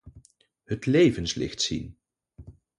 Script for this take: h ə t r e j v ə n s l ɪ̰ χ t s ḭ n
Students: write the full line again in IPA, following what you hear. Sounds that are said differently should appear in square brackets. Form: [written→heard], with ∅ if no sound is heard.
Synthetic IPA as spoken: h ə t [r→l] e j v ə n s l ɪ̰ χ t s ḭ n